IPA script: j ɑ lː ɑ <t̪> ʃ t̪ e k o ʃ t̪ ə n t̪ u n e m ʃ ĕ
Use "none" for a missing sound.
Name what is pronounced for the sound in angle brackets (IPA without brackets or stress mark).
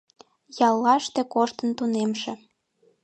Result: none